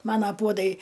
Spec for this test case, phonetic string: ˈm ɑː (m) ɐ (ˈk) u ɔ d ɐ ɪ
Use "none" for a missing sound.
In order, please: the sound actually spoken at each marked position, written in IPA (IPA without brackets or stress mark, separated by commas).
n, p